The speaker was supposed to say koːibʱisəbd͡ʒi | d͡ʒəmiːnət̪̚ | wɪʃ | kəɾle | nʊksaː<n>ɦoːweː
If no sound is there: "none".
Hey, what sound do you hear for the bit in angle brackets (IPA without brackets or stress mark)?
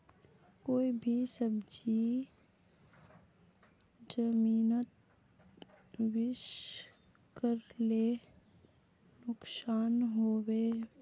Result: n